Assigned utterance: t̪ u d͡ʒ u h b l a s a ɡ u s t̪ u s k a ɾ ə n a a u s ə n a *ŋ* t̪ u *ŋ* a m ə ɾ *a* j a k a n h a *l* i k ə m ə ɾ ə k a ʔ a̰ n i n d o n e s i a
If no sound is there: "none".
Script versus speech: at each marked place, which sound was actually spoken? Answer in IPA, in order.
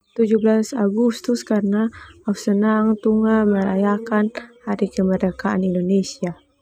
ŋ, ŋ, a, ɾ

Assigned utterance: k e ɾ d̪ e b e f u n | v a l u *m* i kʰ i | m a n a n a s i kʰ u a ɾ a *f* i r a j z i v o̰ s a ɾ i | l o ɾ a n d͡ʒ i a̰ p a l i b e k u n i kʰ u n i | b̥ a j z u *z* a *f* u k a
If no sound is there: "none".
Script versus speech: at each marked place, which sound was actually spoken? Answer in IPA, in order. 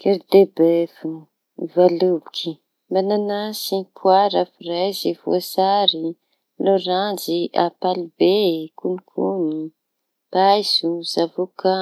b, f, z, v

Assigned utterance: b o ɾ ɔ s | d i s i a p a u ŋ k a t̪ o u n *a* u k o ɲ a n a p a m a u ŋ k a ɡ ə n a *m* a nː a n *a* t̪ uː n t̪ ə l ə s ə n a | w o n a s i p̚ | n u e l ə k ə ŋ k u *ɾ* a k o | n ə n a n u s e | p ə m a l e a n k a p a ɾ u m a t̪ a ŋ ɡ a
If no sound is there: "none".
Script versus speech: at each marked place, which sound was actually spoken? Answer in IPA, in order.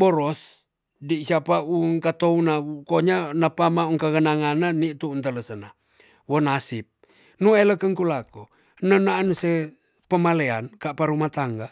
a, ŋ, i, l

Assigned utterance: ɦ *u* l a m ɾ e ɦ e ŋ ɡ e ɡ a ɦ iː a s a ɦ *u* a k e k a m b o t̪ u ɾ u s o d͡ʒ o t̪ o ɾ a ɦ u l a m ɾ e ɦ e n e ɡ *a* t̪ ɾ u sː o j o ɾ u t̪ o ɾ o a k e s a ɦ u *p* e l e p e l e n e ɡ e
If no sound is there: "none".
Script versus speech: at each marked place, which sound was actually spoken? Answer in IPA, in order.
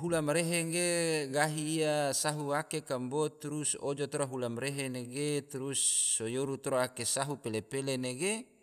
u, u, e, p

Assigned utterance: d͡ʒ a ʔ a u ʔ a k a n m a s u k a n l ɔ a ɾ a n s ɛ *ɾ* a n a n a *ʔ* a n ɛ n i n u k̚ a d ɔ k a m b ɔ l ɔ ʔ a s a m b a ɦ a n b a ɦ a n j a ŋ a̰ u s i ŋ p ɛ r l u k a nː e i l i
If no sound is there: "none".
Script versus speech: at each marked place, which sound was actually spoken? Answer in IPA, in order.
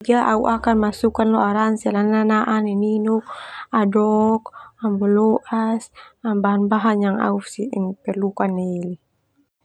l, ʔ

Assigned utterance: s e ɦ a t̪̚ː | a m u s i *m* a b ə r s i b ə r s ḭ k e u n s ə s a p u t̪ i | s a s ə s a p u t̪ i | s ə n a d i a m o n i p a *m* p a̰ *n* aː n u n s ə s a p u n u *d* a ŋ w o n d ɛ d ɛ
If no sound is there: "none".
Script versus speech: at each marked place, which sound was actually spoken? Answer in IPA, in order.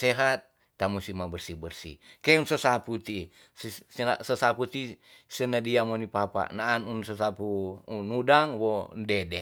m, none, n, d

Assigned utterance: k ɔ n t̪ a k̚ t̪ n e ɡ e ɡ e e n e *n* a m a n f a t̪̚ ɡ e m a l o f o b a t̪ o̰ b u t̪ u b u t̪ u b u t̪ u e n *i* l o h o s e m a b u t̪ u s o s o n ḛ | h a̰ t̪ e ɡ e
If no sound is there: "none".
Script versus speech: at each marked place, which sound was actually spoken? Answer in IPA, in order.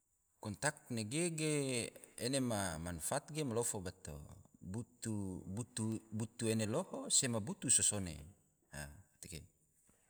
m, e

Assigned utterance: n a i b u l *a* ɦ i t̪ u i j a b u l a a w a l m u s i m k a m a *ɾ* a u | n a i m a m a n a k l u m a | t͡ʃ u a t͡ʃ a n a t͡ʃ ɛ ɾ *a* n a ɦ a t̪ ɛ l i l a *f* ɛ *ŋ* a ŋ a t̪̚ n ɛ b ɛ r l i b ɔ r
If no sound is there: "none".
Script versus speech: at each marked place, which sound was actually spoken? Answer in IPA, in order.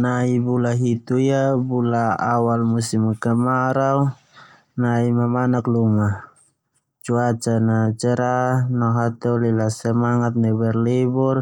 a, ɾ, a, s, m

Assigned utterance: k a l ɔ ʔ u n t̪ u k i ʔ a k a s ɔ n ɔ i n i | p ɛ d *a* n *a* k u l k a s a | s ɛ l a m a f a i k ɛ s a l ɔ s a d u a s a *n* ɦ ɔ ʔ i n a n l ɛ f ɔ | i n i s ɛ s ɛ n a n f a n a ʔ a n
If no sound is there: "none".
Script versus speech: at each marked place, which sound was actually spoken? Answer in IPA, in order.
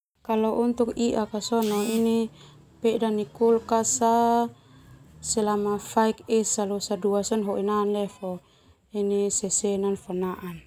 a, i, n

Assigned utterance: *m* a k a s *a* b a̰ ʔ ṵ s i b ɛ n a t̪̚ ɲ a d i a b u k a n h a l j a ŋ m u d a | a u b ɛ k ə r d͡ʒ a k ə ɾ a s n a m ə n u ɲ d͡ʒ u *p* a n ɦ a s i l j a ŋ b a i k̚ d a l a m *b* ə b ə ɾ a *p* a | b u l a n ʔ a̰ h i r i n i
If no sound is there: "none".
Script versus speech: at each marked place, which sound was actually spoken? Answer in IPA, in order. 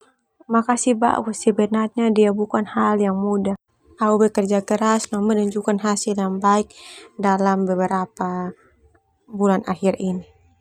m, i, k, b, p

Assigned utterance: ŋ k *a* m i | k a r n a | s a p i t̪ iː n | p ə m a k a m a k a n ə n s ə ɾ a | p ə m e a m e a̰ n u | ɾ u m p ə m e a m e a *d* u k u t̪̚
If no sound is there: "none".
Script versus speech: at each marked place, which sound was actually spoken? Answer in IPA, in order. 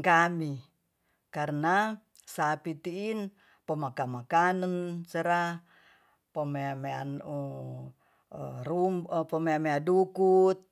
a, d

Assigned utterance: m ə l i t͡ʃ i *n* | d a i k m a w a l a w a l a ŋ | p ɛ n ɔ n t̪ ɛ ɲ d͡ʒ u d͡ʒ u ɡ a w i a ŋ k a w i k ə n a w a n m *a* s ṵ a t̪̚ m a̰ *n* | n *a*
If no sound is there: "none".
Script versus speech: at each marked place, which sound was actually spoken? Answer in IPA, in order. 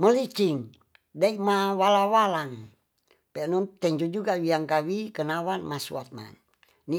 ŋ, a, n, i

